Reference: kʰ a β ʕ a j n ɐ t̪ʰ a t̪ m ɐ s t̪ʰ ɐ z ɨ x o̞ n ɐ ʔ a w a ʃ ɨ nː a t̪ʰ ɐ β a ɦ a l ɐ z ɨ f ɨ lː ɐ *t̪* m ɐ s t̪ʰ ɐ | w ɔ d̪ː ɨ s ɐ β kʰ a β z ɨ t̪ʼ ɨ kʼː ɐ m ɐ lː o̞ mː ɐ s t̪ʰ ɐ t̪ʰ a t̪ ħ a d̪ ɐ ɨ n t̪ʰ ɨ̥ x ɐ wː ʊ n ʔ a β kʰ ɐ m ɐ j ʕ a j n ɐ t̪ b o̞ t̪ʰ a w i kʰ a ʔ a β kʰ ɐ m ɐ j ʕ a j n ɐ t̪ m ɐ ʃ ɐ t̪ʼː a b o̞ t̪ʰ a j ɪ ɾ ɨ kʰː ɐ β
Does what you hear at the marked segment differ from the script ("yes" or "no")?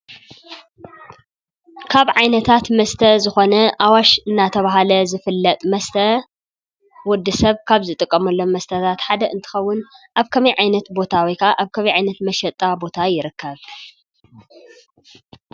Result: yes